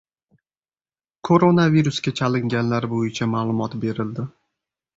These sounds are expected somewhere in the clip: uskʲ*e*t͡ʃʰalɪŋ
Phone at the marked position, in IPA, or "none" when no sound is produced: a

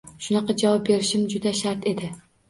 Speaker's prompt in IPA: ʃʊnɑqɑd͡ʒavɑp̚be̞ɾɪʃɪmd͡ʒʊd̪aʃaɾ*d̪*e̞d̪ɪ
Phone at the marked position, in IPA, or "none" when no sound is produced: t̪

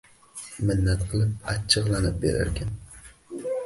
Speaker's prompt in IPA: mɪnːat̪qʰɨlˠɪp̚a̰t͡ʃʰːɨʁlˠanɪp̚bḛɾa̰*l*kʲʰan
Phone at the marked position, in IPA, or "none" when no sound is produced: ɾ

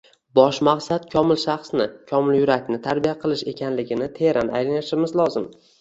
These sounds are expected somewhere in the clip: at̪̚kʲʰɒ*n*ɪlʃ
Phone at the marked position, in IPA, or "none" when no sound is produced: m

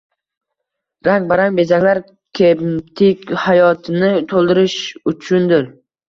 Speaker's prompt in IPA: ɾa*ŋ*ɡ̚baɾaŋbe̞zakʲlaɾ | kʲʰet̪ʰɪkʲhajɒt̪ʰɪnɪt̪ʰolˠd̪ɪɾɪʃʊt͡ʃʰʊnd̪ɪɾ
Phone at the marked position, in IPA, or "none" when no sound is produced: ŋ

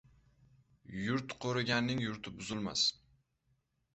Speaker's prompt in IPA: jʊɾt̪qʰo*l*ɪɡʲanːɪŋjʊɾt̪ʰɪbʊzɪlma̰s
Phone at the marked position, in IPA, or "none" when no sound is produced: ɾ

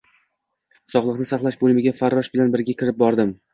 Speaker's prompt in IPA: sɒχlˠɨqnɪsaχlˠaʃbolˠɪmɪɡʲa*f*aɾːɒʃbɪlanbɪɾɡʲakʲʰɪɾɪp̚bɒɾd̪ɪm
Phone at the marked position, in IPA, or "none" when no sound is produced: f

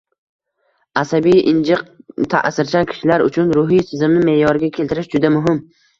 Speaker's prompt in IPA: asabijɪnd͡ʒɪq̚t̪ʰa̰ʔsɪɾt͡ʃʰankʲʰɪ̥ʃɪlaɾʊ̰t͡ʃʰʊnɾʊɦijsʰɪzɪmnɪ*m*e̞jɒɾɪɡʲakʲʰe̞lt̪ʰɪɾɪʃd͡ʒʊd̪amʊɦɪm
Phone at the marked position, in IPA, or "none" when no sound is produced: m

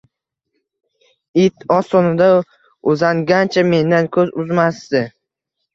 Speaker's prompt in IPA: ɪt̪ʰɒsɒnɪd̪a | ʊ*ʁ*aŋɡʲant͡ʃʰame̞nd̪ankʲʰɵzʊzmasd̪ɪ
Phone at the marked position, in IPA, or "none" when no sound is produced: z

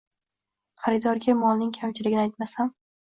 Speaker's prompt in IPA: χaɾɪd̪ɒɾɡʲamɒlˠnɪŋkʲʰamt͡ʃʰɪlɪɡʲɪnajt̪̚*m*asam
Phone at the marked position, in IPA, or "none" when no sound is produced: m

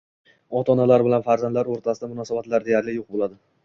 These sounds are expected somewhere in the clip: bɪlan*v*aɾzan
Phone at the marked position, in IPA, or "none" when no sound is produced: f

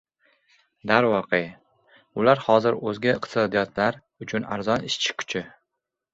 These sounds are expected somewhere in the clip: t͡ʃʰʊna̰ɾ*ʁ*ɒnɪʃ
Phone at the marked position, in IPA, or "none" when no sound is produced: z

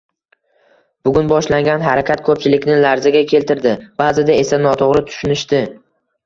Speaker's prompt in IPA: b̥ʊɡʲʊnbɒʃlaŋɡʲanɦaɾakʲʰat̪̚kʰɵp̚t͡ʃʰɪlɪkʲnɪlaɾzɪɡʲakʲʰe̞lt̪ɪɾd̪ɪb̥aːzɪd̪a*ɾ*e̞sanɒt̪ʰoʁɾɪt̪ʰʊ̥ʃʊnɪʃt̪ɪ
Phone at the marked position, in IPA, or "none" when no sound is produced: none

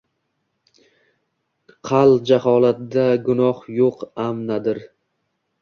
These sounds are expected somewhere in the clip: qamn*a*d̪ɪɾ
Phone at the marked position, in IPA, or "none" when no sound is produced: a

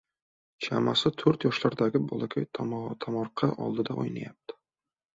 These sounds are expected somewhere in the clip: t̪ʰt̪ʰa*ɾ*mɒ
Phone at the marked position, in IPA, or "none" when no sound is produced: none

